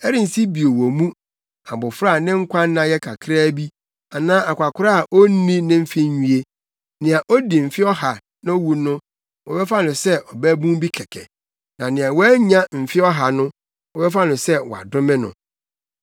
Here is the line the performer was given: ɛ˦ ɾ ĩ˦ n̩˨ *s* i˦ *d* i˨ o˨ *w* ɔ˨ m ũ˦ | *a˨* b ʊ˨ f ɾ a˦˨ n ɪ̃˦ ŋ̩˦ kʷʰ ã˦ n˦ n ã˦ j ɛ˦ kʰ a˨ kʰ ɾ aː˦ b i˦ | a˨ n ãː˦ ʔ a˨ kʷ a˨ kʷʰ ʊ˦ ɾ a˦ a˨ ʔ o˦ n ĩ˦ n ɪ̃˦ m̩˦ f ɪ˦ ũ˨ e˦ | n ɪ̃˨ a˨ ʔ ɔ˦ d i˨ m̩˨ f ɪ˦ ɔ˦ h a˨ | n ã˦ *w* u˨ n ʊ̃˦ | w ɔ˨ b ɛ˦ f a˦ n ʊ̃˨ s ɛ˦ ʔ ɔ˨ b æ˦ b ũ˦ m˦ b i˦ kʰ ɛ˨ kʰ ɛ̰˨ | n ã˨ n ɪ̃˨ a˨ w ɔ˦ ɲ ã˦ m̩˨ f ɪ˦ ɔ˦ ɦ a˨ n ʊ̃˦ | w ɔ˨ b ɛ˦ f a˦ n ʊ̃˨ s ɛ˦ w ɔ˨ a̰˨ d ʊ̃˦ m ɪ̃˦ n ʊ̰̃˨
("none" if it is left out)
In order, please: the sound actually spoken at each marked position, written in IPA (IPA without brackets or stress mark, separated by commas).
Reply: s, b, w, a˨, w